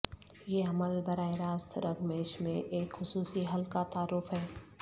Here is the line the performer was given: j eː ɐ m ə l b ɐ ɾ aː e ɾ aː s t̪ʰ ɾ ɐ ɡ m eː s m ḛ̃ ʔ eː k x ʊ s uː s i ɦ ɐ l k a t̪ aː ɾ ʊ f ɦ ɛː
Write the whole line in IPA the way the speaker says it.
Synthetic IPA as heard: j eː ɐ m ə l b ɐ ɾ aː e ɾ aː s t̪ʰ ɾ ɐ ɡ m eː ʃ m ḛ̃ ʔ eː k x ʊ s uː s i ɦ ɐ l k a t̪ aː ɾ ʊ f ɦ ɛː